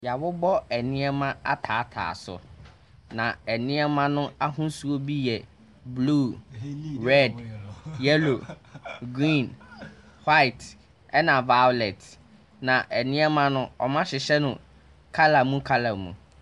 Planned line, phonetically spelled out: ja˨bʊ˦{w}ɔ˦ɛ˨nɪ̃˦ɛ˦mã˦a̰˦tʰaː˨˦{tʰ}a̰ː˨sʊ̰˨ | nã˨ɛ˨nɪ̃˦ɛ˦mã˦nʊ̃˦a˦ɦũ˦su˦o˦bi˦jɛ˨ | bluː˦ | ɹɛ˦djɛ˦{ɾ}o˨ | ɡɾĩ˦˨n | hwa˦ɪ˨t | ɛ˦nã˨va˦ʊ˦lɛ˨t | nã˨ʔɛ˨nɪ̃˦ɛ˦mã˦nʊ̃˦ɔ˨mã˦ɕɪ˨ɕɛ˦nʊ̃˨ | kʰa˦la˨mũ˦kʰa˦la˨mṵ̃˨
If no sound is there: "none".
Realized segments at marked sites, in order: b, tʰ, l

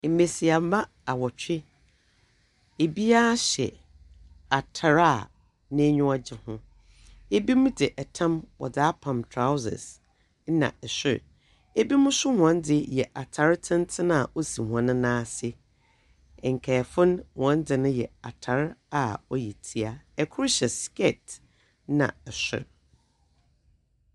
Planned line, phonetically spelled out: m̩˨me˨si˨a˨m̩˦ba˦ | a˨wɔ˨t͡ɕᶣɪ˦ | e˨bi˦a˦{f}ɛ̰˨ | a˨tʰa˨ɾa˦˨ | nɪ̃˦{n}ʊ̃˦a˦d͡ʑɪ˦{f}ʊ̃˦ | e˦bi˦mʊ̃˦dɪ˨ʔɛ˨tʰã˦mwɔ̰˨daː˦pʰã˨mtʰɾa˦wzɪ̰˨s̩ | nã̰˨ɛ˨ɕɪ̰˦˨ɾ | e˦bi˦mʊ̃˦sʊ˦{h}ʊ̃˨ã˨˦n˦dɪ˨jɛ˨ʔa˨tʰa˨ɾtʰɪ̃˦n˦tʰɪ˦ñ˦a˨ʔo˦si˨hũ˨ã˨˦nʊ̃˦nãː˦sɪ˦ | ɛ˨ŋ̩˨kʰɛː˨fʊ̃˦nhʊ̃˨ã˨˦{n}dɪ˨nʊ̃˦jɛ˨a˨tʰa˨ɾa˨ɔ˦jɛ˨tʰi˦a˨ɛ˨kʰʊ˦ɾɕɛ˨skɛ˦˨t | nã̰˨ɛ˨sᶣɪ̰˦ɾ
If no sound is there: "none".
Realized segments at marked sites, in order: ɕ, ɲ, h, h, n

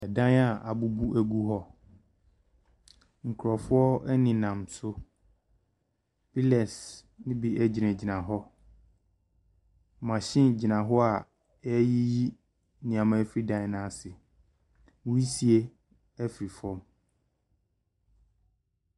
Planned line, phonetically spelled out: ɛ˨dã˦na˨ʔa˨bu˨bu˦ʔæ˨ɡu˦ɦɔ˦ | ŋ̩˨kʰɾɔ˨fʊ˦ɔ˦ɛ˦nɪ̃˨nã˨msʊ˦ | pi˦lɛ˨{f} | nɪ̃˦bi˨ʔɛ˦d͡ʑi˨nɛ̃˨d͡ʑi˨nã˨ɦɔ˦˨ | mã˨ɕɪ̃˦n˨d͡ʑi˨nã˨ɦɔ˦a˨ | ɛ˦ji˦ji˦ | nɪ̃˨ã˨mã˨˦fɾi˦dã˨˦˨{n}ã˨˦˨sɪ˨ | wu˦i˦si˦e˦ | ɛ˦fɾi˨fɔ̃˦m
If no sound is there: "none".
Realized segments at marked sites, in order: s, n

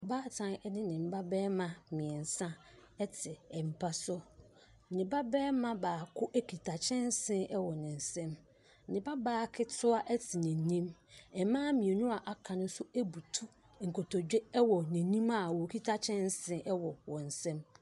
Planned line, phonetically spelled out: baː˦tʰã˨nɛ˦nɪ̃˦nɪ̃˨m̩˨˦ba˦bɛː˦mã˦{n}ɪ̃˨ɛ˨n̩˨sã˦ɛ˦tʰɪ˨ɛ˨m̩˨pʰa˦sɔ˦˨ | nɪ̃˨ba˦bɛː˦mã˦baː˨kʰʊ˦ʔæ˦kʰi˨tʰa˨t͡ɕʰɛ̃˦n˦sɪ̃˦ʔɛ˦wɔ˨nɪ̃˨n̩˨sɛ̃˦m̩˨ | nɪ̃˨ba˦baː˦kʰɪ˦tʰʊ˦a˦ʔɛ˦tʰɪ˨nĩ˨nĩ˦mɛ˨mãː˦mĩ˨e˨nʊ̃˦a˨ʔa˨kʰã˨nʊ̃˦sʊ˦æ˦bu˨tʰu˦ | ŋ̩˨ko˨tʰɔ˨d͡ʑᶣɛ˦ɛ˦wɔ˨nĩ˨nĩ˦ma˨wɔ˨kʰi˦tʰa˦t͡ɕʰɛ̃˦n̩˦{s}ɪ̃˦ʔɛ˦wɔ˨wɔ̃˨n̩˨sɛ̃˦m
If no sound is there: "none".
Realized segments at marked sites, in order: m, s

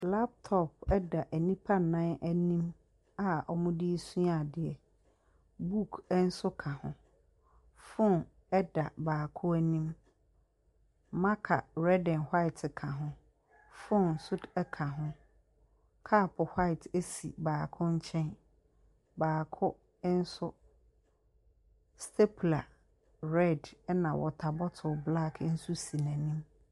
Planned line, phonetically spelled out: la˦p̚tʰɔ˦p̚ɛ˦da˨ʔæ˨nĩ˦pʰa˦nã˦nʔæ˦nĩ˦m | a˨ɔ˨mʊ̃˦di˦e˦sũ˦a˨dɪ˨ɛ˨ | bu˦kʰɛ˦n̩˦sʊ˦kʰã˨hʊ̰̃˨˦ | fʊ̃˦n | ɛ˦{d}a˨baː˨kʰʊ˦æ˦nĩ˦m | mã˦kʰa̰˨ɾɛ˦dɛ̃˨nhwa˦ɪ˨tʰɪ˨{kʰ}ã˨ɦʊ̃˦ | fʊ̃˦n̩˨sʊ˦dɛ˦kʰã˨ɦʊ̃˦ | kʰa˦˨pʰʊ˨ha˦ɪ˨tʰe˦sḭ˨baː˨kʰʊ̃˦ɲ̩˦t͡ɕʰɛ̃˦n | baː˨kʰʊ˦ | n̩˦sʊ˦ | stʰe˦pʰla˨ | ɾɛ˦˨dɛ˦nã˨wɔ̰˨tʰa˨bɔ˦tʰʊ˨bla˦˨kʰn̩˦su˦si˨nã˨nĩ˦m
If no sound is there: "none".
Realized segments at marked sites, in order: d, kʰ

